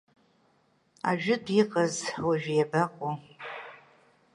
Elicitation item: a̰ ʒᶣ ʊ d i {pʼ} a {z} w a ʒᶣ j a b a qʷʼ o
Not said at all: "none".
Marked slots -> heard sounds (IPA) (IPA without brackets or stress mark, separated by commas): qʼ, z